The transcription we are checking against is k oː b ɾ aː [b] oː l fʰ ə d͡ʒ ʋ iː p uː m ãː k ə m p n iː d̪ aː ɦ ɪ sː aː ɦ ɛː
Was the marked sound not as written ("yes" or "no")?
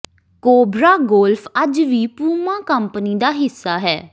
yes